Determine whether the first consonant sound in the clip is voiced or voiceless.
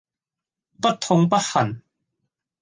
voiceless